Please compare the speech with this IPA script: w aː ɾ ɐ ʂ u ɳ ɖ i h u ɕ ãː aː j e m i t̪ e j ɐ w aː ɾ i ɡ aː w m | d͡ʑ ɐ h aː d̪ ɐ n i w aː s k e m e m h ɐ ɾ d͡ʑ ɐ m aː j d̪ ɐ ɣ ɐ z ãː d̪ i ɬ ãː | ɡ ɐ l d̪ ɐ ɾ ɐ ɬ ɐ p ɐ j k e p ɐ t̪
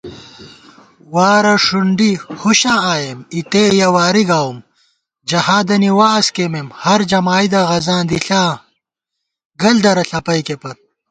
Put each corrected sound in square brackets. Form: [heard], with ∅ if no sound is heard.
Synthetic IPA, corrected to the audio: w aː ɾ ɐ ʂ u ɳ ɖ i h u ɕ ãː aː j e m i t̪ e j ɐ w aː ɾ i ɡ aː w m | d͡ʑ ɐ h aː d̪ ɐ n i w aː s k e m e m h ɐ ɾ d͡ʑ ɐ m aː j d̪ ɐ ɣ ɐ z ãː d̪ i ɬ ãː | ɡ ɐ l d̪ ɐ ɾ ɐ ɬ ɐ p ɐ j k e p ɐ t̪